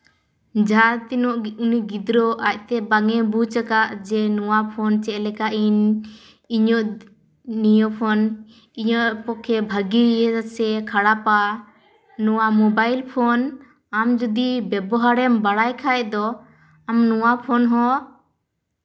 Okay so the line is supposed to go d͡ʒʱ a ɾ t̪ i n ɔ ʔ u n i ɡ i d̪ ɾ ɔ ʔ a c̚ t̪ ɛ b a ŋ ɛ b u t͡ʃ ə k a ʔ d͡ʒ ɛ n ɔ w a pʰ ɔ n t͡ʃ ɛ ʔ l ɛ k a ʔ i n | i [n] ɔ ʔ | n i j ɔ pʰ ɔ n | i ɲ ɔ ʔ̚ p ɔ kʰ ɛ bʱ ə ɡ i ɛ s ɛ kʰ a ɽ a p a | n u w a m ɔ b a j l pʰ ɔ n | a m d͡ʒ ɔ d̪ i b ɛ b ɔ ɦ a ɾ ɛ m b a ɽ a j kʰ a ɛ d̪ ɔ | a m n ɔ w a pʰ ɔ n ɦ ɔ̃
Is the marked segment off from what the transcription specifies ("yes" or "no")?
yes